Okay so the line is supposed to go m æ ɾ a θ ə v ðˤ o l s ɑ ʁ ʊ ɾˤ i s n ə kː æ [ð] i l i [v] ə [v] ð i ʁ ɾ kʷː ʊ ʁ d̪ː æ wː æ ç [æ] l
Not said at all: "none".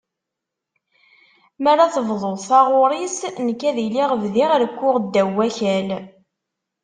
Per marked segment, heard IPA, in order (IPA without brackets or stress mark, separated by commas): ð, ʁ, v, æ